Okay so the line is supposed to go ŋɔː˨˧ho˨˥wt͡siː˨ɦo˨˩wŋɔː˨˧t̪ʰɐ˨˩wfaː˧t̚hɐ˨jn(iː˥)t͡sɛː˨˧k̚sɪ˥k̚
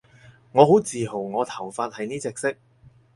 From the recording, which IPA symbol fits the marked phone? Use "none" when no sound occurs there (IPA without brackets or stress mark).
iː˥